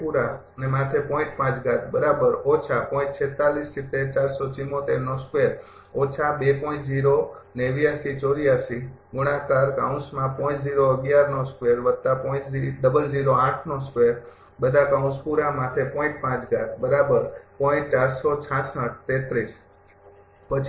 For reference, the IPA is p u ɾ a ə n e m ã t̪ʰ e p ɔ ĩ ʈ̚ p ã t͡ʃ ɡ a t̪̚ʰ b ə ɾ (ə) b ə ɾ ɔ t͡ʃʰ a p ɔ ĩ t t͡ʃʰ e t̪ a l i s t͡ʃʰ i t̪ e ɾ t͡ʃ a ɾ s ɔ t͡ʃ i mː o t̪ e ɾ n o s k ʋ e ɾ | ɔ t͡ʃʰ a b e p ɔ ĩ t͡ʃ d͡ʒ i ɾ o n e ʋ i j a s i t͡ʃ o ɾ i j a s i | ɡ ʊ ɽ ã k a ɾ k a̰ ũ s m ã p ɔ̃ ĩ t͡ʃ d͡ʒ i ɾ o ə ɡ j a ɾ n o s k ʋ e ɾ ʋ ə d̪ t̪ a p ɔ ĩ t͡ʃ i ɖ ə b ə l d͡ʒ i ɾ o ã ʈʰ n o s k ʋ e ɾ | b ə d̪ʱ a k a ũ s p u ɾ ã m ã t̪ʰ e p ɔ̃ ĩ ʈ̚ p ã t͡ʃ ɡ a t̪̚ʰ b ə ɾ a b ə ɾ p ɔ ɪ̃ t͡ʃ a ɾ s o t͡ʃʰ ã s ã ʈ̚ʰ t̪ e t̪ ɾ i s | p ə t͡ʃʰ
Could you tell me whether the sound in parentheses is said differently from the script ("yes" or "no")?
yes